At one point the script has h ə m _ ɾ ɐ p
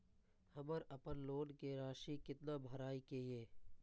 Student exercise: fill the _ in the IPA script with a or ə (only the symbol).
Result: ə